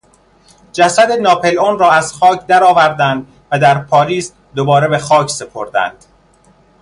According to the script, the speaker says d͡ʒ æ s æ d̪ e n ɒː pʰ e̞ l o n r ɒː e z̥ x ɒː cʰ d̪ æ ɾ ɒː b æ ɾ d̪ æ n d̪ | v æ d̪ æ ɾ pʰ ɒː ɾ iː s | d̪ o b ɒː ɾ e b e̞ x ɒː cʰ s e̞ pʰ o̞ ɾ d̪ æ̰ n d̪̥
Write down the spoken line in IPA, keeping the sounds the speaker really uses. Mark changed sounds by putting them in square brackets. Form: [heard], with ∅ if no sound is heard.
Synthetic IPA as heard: d͡ʒ æ s æ d̪ e n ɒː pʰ e̞ l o n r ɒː [æ] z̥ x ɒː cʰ d̪ æ ɾ ɒː [v] æ ɾ d̪ æ n d̪ | v æ d̪ æ ɾ pʰ ɒː ɾ iː s | d̪ o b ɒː ɾ e b e̞ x ɒː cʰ s e̞ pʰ o̞ ɾ d̪ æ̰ n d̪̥